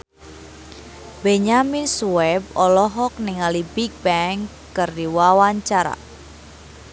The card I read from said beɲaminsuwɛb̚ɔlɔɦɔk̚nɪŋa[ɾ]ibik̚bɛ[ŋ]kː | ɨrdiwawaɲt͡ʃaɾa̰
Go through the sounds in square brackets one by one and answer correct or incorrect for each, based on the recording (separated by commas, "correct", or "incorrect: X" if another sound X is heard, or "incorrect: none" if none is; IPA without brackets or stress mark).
incorrect: l, correct